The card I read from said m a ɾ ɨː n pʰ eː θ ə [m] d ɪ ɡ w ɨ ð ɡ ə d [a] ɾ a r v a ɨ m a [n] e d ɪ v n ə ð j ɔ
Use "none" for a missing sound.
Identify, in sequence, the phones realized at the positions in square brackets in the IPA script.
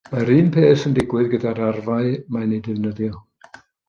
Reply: n, a, n

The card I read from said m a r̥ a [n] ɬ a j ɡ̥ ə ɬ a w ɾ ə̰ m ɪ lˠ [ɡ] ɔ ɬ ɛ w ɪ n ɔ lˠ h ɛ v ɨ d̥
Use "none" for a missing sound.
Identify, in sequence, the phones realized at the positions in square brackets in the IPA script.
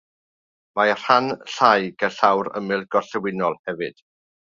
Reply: n, ɡ

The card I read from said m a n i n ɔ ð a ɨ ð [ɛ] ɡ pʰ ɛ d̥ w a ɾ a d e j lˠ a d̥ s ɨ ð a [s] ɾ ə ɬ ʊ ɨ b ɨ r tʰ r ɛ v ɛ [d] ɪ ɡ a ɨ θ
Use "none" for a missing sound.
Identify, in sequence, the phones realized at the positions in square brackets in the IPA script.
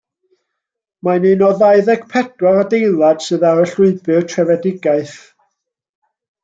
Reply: ɛ, none, d

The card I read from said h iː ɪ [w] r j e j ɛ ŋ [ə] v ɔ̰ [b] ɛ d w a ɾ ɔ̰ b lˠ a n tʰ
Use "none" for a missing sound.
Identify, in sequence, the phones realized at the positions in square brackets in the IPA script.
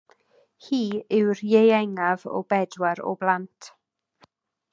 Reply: w, a, b

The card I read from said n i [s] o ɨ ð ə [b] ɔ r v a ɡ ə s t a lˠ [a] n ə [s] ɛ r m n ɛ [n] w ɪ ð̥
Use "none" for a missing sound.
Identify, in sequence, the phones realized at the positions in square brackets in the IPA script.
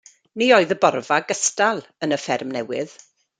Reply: none, b, ə, f, none

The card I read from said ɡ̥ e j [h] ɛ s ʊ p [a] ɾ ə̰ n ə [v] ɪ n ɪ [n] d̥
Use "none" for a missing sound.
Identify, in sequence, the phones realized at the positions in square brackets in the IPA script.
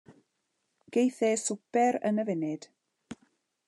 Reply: θ, ɛ, v, none

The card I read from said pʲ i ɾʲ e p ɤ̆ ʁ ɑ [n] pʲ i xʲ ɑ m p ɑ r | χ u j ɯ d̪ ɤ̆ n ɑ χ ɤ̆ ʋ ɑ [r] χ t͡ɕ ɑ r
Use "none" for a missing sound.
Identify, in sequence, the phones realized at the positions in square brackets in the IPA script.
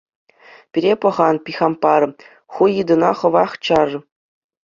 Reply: n, none

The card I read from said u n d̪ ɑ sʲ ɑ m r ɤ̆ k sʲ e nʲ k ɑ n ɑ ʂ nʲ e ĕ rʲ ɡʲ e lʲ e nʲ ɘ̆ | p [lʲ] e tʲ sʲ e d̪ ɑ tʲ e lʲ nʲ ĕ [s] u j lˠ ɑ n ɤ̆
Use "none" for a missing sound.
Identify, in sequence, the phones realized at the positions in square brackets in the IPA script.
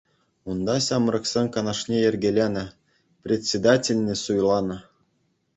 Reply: rʲ, s

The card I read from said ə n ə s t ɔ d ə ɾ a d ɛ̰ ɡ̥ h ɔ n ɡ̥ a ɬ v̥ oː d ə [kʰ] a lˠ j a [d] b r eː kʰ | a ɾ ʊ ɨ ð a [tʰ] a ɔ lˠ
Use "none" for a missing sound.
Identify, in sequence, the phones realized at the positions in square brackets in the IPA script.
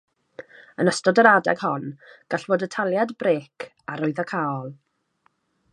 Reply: tʰ, d, kʰ

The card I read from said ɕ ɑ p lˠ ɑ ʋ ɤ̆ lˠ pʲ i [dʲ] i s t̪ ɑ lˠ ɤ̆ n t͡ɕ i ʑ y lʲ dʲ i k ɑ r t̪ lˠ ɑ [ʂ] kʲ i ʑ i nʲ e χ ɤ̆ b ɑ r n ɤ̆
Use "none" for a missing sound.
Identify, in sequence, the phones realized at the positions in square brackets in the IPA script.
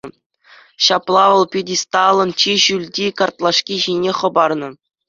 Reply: dʲ, ʂ

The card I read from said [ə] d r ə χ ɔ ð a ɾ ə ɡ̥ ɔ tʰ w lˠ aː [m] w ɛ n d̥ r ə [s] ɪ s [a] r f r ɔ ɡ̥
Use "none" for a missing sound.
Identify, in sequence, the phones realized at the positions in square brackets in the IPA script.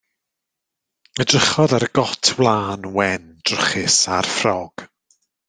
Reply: ə, n, χ, a

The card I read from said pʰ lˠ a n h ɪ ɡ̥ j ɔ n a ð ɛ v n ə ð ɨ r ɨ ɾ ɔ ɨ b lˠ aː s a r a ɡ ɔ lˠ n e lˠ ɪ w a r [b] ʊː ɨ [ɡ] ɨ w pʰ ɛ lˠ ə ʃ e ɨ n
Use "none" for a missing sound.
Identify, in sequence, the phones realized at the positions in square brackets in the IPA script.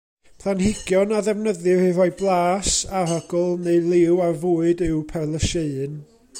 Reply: v, d

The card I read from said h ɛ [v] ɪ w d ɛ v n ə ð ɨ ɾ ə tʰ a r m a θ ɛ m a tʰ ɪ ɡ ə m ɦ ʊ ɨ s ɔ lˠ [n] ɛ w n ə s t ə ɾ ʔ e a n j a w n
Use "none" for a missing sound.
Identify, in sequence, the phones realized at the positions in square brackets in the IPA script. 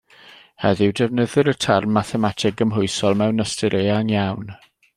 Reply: ð, m

